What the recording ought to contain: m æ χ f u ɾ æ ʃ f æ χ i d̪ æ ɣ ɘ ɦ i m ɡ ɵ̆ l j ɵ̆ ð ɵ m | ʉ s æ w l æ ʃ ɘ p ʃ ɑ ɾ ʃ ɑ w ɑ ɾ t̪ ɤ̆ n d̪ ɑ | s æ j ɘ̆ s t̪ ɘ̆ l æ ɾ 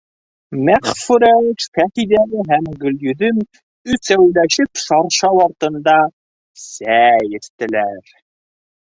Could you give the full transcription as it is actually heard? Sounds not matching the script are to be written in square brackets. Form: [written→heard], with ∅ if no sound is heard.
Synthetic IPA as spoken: m æ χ f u ɾ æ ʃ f æ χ i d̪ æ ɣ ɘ ɦ [i→æ] m ɡ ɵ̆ l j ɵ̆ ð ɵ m | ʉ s æ w l æ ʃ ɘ p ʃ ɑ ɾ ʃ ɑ w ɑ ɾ t̪ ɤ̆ n d̪ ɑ | s æ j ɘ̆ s t̪ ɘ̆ l æ ɾ